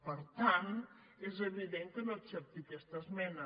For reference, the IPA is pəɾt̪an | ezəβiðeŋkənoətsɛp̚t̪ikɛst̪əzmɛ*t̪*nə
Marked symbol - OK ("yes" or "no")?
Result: no